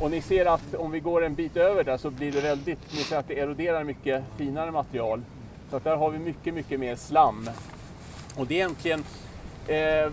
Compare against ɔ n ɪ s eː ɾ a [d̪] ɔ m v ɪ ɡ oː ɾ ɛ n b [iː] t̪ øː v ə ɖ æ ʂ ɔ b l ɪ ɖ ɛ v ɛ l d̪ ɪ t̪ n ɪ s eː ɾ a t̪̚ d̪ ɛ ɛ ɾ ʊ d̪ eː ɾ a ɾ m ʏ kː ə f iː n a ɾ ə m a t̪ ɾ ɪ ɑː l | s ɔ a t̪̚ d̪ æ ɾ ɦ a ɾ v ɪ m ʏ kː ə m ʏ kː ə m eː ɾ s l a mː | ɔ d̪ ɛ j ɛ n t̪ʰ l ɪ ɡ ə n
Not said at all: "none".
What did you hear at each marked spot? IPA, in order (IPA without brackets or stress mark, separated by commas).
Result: t̪, iː